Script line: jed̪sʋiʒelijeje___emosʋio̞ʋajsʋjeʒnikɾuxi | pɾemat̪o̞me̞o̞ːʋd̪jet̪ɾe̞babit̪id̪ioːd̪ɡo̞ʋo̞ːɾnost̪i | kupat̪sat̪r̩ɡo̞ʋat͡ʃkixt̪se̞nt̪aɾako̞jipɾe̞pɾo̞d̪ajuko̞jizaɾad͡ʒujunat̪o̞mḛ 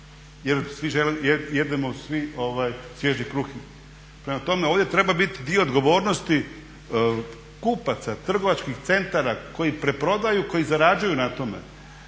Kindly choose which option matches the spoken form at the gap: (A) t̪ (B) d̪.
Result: B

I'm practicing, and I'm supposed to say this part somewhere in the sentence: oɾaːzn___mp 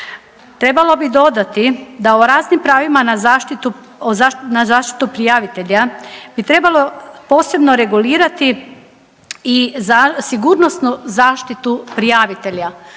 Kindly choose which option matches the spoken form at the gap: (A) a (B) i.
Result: B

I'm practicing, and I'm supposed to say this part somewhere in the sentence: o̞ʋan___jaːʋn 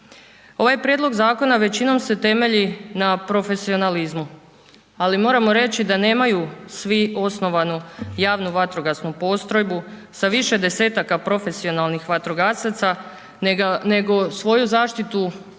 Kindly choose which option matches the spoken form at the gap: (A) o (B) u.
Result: B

